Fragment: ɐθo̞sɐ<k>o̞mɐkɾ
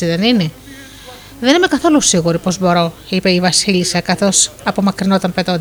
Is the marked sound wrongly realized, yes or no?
yes